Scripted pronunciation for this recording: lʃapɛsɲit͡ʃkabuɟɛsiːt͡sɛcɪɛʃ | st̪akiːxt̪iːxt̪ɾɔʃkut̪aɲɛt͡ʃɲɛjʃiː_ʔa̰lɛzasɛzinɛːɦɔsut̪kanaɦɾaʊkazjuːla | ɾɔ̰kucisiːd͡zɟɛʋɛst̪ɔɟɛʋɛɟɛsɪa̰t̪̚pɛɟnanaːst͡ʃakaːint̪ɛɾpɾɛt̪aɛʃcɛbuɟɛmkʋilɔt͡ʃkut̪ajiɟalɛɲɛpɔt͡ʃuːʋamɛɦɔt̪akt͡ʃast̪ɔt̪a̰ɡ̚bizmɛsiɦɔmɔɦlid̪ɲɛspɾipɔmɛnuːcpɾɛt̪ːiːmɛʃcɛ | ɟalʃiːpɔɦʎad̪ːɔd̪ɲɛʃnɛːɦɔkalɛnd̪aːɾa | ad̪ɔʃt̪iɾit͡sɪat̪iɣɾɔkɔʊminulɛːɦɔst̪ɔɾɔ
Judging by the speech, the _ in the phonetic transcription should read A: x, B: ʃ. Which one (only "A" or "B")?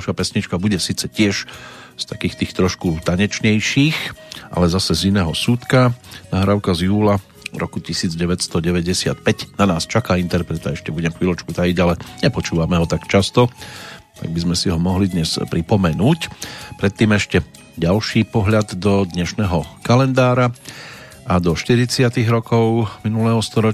A